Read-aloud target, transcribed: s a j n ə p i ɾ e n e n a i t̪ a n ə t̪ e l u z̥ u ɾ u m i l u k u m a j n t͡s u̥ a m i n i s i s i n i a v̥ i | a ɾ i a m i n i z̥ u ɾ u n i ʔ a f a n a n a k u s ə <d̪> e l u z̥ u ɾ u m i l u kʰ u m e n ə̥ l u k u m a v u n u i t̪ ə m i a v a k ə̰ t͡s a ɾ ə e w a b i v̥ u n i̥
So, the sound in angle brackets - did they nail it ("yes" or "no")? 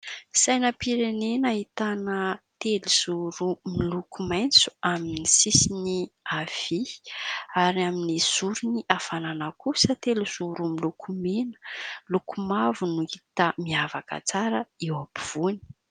no